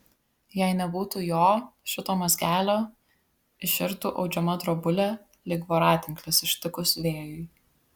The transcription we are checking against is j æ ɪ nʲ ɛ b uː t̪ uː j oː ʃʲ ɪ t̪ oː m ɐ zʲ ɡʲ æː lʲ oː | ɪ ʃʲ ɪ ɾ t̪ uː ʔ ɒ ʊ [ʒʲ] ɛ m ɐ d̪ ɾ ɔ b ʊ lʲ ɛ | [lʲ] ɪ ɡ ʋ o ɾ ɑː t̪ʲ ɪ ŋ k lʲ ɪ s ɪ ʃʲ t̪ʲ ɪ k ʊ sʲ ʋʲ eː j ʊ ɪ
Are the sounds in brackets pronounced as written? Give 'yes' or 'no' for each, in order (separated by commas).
no, yes